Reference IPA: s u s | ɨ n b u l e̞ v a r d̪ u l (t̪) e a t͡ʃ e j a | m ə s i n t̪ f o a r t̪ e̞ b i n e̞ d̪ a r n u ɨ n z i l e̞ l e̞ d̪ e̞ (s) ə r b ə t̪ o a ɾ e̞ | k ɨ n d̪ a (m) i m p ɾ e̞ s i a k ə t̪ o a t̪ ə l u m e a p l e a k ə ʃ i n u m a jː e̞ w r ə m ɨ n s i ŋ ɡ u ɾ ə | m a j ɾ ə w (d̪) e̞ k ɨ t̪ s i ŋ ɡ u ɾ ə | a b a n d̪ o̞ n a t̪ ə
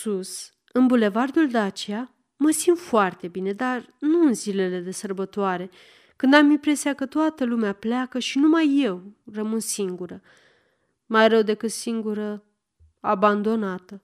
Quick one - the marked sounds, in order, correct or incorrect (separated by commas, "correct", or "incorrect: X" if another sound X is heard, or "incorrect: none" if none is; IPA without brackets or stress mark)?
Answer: incorrect: d̪, correct, correct, correct